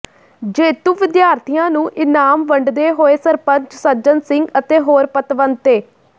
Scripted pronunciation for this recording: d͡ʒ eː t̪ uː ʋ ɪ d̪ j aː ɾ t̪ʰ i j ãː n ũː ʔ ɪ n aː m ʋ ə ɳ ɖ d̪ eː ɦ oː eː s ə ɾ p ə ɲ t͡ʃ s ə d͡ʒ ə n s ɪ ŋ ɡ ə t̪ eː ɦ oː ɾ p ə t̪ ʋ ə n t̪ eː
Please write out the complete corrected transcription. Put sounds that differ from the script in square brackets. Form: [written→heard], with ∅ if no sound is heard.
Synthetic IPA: d͡ʒ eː t̪ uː ʋ ɪ d̪ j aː ɾ t̪ʰ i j ãː n ũː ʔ ɪ n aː m ʋ ə ɳ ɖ d̪ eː ɦ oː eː s ə ɾ p ə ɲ t͡ʃ s ə d͡ʒ ə n s ɪ ŋ ɡ ə t̪ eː ɦ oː ɾ p ə t̪ ʋ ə n t̪ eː